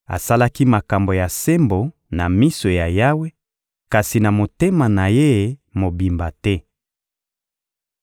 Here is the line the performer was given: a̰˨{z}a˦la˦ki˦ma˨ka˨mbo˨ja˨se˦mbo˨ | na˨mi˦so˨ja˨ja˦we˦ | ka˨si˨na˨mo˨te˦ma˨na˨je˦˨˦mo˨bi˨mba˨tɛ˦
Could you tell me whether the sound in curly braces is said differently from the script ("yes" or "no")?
yes